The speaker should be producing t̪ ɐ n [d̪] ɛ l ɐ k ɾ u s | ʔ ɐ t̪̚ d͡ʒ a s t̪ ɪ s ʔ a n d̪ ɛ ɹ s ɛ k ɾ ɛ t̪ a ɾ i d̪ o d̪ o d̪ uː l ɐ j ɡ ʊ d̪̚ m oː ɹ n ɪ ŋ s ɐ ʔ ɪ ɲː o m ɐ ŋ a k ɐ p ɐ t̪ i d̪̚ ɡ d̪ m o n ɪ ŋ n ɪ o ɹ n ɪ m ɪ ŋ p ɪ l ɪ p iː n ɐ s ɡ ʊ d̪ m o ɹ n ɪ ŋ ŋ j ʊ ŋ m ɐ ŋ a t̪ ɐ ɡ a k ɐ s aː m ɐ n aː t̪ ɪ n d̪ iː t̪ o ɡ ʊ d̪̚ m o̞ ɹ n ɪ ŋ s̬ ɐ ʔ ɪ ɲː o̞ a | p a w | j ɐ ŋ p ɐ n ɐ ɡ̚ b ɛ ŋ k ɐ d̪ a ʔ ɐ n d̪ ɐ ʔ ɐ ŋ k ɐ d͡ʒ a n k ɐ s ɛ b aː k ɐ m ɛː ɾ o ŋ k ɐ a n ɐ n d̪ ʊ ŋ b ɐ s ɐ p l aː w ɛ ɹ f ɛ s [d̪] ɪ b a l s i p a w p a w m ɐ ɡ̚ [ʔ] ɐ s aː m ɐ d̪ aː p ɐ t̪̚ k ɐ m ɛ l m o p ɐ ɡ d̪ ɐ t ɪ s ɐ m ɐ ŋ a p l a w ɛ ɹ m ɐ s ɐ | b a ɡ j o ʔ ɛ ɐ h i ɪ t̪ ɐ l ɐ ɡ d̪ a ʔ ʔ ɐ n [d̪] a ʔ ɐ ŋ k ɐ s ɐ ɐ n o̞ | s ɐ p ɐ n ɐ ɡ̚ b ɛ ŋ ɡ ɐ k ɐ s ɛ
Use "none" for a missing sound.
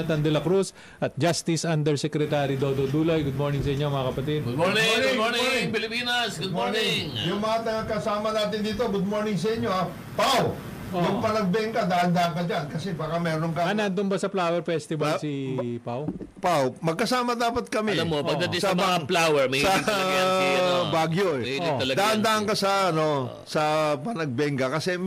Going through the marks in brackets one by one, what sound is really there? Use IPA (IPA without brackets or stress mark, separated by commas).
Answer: d̪, t̪, k, d̪